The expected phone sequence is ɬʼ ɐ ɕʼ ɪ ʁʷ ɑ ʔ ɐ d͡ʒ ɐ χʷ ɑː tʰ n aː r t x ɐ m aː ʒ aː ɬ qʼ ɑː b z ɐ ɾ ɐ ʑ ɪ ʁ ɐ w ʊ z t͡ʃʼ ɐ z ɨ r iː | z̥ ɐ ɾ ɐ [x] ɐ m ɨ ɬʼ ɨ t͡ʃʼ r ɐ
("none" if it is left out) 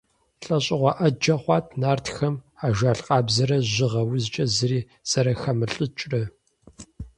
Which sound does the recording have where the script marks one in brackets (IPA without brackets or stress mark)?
x